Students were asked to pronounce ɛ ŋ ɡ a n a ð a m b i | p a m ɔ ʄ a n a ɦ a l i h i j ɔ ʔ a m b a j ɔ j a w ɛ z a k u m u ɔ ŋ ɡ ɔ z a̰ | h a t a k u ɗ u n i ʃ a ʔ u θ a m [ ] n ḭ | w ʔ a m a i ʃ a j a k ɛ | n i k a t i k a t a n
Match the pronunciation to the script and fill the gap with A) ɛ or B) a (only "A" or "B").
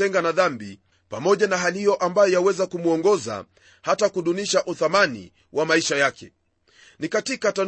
B